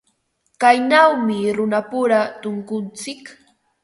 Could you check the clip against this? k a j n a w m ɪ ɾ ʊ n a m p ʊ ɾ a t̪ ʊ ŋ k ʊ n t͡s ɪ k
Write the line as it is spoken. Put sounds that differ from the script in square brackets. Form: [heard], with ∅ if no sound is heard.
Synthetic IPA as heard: k a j n a w m ɪ ɾ ʊ n a [∅] p ʊ ɾ a t̪ ʊ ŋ k ʊ n t͡s ɪ k